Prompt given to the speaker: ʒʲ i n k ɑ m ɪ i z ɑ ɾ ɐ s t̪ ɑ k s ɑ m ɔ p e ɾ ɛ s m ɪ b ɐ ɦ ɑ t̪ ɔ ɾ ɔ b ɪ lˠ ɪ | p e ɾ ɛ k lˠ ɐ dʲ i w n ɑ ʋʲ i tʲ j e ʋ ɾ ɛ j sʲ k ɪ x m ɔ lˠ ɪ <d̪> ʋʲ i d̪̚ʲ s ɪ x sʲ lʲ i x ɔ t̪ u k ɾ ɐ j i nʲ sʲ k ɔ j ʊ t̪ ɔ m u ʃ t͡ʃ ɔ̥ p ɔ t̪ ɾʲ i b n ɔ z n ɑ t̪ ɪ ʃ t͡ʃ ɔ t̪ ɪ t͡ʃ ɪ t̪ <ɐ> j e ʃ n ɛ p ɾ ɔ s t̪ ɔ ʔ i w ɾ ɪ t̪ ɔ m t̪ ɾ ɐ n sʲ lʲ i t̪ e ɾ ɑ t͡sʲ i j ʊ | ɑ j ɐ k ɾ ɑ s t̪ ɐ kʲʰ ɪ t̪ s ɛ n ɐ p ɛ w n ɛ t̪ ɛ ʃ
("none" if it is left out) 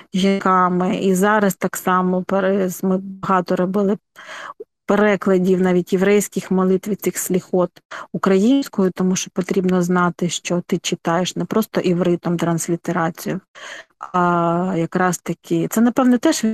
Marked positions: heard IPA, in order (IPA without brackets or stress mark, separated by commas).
t̪, ɑ